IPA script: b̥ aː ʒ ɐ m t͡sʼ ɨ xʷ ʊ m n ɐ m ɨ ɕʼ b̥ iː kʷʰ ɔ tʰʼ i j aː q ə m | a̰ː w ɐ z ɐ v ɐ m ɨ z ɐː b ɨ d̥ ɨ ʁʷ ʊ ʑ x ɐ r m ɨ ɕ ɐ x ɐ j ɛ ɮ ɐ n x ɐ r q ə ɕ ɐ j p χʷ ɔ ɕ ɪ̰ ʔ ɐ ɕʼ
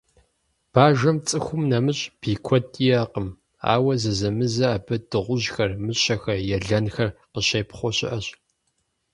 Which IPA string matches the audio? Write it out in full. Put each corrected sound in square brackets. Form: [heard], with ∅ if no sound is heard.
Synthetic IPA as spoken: b̥ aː ʒ ɐ m t͡sʼ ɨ xʷ ʊ m n ɐ m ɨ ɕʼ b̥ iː kʷʰ ɔ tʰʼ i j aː q ə m | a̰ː w ɐ z ɐ [z] ɐ m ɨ z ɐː b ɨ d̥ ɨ ʁʷ ʊ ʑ x ɐ r m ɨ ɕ ɐ x ɐ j ɛ ɮ ɐ n x ɐ r q ə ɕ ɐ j p χʷ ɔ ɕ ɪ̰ ʔ ɐ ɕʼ